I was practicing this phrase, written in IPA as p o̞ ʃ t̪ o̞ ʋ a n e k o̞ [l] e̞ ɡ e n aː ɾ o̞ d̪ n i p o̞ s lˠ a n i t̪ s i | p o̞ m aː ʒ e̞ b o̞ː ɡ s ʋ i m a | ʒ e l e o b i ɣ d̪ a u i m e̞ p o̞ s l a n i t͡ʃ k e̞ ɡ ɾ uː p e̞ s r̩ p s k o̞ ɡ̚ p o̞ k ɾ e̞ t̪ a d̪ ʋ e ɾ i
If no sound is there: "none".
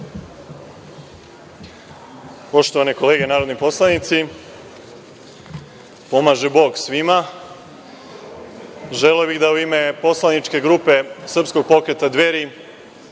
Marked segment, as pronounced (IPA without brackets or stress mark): l